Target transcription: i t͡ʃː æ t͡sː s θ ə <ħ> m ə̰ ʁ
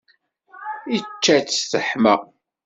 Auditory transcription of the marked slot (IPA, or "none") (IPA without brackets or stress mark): ħ